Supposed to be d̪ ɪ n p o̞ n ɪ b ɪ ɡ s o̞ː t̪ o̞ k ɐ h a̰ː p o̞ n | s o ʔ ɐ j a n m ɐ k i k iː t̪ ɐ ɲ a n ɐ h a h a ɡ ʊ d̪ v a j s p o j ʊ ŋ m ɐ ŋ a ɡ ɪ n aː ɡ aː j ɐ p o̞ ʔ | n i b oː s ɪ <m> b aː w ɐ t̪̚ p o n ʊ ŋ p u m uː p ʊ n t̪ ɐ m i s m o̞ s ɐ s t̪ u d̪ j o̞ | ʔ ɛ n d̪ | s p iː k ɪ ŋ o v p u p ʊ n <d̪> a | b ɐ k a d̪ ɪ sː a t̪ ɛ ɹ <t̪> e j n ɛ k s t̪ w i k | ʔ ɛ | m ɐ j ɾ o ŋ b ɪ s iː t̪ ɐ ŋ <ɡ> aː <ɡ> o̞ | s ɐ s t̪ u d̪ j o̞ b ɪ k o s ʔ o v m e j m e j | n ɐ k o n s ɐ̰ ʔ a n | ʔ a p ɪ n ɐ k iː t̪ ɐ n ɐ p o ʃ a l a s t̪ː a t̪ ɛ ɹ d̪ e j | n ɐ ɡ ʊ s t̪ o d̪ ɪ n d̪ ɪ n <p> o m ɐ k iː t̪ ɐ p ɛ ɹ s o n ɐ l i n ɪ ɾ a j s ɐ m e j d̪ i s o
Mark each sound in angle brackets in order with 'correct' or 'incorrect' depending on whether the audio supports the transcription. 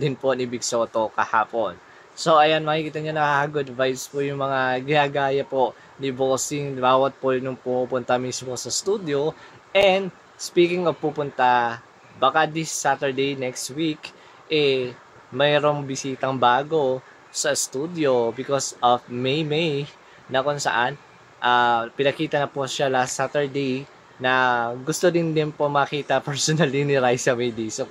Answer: incorrect: ŋ, incorrect: t̪, incorrect: d̪, incorrect: b, correct, correct

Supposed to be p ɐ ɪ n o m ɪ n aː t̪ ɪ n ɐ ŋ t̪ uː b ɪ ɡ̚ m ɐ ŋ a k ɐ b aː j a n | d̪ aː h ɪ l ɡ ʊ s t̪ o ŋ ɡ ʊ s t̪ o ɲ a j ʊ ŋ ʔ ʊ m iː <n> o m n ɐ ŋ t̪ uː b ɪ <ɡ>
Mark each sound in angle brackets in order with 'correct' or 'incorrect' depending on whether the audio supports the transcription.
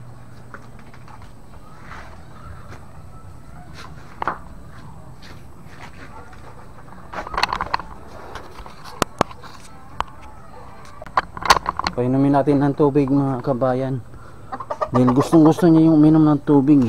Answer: correct, correct

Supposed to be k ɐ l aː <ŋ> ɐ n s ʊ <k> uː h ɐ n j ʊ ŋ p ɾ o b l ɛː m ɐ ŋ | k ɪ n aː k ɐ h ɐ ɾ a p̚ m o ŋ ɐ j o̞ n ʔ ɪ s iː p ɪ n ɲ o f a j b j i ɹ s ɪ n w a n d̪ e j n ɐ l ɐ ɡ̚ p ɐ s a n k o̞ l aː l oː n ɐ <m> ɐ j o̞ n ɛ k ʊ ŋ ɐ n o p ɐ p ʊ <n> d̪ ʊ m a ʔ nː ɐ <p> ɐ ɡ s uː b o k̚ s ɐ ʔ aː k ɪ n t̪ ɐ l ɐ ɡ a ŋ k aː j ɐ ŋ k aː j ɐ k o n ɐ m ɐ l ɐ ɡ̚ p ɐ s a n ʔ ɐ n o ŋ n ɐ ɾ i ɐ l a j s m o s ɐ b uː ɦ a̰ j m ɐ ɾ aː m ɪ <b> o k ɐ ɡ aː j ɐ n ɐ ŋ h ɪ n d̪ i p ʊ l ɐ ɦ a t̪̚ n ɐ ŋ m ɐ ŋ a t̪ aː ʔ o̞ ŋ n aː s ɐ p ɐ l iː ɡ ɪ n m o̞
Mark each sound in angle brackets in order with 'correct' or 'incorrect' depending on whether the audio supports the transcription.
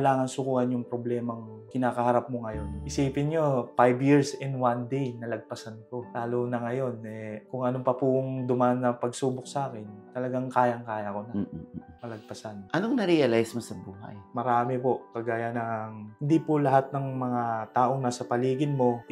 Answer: correct, correct, incorrect: ŋ, incorrect: ŋ, correct, incorrect: p

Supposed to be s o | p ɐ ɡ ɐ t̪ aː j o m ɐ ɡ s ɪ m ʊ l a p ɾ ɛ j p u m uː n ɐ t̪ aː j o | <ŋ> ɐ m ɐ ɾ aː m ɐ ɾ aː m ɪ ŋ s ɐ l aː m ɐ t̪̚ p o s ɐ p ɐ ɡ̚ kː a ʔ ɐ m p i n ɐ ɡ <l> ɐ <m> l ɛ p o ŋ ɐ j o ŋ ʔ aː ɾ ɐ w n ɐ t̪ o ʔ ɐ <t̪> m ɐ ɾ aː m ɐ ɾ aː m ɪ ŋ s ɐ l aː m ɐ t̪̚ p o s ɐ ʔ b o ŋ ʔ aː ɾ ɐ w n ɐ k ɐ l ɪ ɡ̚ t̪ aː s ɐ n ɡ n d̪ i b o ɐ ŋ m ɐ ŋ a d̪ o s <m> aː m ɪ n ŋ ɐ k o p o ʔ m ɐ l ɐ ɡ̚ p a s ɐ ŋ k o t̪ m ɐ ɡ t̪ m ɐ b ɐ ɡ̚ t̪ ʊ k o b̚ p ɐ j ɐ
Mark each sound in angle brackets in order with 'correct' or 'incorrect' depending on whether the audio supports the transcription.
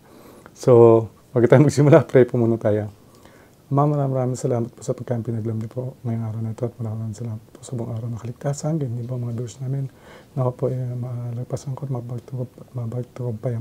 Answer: incorrect: m, correct, correct, correct, incorrect: n

